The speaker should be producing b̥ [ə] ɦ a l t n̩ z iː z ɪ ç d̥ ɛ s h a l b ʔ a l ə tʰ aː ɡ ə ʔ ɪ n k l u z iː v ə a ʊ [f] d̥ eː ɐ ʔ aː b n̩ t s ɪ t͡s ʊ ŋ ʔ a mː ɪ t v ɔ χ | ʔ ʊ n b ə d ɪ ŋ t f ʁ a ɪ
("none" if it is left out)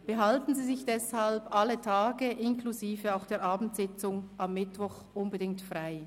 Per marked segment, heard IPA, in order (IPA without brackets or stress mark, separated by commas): ə, x